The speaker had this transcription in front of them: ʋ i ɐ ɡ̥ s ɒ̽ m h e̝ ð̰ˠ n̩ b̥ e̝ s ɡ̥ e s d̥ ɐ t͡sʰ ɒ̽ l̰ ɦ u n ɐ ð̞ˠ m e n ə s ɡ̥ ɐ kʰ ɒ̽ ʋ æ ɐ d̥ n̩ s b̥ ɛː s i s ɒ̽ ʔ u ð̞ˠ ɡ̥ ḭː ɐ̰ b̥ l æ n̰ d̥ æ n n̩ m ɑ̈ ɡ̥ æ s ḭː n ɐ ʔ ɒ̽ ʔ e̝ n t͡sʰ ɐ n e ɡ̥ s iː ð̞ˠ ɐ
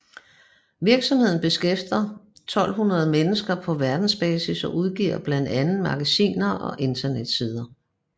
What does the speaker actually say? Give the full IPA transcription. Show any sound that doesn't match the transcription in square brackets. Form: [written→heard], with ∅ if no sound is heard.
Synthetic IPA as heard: ʋ i ɐ ɡ̥ s ɒ̽ m h e̝ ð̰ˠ n̩ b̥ e̝ s ɡ̥ e [s→f] d̥ ɐ t͡sʰ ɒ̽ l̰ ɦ u n ɐ ð̞ˠ m e n ə s ɡ̥ ɐ [kʰ→pʰ] ɒ̽ ʋ æ ɐ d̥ n̩ s b̥ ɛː s i s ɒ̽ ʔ u ð̞ˠ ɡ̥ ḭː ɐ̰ b̥ l æ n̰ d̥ æ n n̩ m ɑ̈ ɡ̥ æ s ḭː n ɐ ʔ ɒ̽ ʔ e̝ n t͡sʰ ɐ n e [ɡ̥→d̥] s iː ð̞ˠ ɐ

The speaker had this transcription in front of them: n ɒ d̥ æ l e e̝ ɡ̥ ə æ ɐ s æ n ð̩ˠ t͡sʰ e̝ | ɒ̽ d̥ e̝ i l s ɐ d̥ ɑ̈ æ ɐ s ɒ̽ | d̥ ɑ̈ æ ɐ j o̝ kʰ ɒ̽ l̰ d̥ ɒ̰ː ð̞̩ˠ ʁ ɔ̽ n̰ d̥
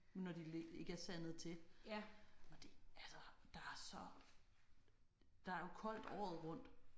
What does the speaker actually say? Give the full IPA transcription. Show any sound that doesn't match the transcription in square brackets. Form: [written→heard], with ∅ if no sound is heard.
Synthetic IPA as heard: n ɒ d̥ [æ→i] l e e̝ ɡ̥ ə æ ɐ s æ n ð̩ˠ t͡sʰ e̝ | ɒ̽ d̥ e̝ [i→æ] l s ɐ d̥ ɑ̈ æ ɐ s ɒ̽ | d̥ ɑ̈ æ ɐ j o̝ kʰ ɒ̽ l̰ d̥ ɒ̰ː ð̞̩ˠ ʁ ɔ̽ n̰ d̥

